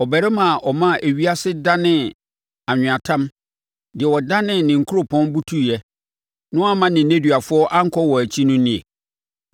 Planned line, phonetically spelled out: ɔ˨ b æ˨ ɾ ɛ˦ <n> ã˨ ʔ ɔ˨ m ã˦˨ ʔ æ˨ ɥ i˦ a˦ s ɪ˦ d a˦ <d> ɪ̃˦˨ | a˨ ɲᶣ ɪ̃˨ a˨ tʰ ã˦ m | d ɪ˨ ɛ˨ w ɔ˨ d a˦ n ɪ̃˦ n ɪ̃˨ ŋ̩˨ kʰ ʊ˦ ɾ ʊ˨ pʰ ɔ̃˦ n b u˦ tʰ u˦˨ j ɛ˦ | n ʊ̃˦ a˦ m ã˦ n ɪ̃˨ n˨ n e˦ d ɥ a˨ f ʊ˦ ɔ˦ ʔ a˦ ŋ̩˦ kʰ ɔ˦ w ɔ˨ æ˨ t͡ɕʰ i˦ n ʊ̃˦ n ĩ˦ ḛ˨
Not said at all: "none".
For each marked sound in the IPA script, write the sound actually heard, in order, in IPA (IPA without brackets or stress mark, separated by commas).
m, n